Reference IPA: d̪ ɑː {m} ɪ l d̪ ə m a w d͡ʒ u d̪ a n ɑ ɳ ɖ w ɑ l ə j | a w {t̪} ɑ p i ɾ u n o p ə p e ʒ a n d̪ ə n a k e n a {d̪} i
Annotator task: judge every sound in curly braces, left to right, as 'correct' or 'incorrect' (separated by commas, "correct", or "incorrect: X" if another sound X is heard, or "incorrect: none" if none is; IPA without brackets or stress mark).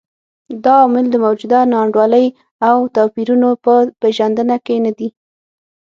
correct, correct, correct